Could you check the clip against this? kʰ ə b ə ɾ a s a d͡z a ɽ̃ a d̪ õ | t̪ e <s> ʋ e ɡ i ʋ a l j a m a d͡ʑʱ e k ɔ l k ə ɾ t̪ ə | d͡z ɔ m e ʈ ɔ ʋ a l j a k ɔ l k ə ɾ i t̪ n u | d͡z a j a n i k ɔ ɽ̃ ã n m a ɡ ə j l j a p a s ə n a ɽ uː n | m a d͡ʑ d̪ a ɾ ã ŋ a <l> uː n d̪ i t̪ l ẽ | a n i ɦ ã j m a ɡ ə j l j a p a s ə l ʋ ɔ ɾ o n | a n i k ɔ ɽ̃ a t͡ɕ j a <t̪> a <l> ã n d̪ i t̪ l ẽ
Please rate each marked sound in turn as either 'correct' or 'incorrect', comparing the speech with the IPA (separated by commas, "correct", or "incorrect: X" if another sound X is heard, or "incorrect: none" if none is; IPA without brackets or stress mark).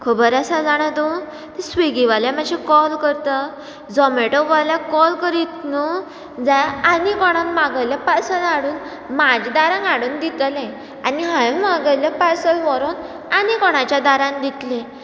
correct, incorrect: ɽ, incorrect: d̪, incorrect: ɾ